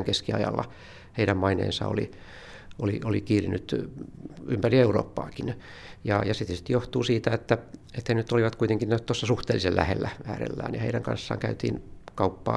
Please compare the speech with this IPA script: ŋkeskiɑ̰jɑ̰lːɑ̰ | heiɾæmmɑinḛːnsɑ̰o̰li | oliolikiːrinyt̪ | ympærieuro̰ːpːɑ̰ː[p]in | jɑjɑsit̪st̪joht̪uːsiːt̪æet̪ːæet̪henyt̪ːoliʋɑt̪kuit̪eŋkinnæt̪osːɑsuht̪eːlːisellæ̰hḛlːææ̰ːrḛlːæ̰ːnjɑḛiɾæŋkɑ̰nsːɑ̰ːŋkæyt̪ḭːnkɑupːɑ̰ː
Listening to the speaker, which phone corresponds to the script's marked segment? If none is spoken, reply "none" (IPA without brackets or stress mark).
k